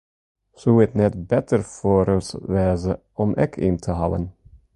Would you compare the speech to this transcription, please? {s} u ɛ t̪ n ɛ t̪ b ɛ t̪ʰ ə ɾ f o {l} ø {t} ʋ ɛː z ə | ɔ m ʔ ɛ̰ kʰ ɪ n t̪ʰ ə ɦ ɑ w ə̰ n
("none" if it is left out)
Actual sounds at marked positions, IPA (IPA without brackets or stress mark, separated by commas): s, ɾ, s